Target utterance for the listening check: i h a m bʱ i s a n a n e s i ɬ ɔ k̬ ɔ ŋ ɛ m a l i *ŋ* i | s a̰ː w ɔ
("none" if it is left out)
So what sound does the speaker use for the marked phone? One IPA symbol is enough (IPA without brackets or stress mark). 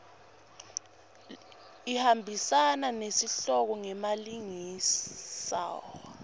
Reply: ŋ